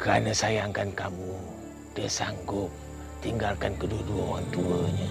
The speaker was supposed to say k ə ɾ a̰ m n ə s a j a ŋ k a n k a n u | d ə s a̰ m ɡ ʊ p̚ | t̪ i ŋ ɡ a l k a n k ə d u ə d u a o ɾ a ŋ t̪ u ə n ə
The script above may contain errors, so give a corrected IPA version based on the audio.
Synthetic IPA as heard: k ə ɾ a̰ n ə s a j a ŋ k a n k a m u | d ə s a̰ ŋ ɡ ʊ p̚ | t̪ i ŋ ɡ a l k a n k ə d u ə d u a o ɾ a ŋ t̪ u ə ɲ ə